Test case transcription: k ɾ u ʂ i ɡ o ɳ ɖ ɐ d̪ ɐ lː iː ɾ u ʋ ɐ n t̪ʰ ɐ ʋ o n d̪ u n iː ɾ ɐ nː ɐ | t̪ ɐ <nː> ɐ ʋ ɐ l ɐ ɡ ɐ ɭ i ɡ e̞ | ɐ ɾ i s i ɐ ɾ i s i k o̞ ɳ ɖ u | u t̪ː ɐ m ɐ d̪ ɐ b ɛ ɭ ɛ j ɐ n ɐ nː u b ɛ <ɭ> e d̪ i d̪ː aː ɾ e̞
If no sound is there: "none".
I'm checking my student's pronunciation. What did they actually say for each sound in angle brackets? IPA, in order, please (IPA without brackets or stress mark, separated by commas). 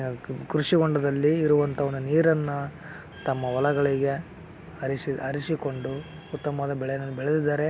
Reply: mː, ɭ